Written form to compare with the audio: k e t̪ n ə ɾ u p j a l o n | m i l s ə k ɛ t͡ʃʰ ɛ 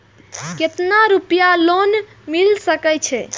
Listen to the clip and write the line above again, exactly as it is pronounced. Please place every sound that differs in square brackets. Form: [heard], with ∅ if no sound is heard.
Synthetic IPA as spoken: k e t̪ n [a] ɾ u p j a l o n | m i l s ə k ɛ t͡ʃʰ ɛ